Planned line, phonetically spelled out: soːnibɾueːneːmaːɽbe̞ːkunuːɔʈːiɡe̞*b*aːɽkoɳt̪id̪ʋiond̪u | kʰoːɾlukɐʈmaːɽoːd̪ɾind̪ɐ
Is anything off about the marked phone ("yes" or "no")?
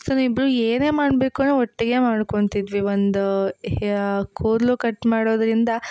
yes